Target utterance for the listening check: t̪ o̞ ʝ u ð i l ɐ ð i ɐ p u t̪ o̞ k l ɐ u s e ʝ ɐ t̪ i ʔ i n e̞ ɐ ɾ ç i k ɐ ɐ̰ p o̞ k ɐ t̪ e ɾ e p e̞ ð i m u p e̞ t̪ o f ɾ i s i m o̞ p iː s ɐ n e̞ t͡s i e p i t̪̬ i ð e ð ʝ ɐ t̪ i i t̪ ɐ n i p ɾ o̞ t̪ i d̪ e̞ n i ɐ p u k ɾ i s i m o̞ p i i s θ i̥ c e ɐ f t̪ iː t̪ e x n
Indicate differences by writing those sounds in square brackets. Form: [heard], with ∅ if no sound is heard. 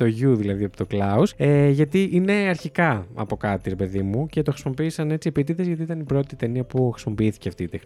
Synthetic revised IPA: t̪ o̞ ʝ u ð i l ɐ ð i ɐ p [o] t̪ o̞ k l ɐ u s e ʝ ɐ t̪ i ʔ i n e̞ ɐ ɾ ç i k ɐ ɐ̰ p o̞ k ɐ t̪ [i] ɾ e p e̞ ð i m u [c] e̞ t̪ o [x] ɾ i s i m o̞ p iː s ɐ n e̞ t͡s i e p i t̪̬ i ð e [z] ʝ ɐ t̪ i i t̪ ɐ n i p ɾ o̞ t̪ i [t̪] e̞ n i ɐ p u [x] ɾ i s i m o̞ p i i [∅] θ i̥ c e ɐ f t̪ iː t̪ e x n